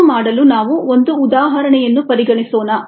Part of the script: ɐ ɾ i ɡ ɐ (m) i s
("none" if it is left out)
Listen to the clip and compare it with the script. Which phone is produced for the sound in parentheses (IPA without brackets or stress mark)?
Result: ɳ